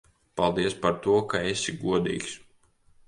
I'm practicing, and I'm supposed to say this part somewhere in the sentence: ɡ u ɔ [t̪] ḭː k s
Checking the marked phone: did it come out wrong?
yes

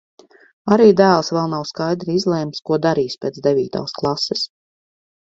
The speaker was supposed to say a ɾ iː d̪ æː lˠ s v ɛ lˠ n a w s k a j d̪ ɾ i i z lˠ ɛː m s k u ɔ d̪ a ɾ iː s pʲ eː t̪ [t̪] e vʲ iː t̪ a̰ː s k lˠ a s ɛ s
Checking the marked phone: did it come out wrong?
yes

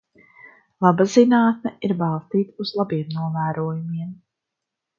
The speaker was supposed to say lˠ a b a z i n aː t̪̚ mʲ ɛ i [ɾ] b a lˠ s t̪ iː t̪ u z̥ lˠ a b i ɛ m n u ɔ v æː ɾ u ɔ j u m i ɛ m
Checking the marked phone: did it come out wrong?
no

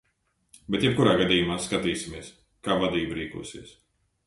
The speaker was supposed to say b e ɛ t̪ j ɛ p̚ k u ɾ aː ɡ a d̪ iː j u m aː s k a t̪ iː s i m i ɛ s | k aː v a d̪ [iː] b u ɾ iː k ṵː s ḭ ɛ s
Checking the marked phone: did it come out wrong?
no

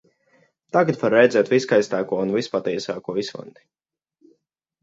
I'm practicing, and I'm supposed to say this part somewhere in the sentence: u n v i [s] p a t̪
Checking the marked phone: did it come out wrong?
no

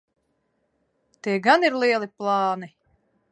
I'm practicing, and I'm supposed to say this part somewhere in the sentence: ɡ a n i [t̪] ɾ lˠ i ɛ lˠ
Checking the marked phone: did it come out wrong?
yes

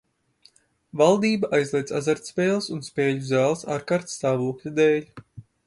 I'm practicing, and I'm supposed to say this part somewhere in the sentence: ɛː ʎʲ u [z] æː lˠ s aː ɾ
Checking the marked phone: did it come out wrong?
no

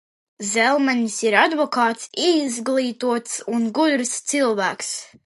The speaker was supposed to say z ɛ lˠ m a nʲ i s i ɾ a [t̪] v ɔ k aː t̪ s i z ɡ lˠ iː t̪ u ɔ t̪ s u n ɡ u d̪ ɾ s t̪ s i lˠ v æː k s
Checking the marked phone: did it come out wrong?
yes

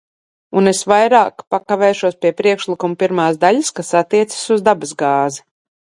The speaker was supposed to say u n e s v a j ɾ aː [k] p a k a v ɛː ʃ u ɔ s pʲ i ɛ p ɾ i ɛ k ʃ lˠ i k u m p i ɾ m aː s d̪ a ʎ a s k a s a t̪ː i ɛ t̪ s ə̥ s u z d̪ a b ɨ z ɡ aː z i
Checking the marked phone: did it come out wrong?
no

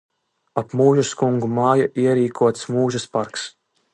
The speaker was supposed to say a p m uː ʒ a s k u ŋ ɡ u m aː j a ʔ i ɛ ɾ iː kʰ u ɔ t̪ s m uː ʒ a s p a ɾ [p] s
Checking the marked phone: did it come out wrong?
yes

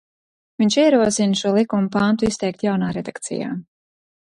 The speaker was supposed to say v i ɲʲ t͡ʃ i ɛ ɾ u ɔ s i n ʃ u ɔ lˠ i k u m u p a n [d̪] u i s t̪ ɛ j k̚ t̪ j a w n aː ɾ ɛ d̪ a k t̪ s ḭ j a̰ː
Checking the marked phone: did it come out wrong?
yes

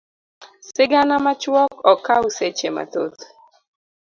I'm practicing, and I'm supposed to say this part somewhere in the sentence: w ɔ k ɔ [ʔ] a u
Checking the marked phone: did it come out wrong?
yes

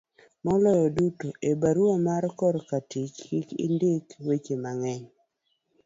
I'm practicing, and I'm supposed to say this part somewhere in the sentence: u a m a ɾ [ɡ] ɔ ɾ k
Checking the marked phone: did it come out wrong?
yes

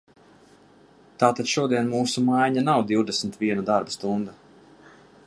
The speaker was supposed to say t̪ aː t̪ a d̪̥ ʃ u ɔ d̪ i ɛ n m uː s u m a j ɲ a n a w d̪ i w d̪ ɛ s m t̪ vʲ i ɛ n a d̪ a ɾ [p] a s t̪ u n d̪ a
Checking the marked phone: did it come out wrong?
yes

